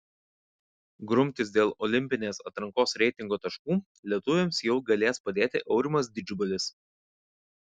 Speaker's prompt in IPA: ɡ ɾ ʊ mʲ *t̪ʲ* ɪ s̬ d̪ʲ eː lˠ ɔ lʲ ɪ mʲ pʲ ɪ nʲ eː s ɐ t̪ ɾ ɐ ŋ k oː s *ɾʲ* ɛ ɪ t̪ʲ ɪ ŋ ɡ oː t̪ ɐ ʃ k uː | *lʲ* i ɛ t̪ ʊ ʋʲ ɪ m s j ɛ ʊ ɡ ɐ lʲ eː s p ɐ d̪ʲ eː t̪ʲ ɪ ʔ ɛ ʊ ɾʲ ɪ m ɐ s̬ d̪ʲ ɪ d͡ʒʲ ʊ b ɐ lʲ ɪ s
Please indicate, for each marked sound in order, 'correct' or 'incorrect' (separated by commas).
correct, correct, correct